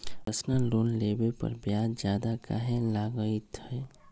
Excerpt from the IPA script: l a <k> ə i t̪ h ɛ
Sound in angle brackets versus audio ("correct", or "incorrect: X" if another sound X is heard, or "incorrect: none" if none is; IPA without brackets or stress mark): incorrect: ɡ